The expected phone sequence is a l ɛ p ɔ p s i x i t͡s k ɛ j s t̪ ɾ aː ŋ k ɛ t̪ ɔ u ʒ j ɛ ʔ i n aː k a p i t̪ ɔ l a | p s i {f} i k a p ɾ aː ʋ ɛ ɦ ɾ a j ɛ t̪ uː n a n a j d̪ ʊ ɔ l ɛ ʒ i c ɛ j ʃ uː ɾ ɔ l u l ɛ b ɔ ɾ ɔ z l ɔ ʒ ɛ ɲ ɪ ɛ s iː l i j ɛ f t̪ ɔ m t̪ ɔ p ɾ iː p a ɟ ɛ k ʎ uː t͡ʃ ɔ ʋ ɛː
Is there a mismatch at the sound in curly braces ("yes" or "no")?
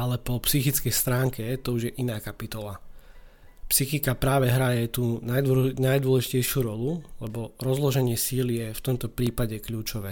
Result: yes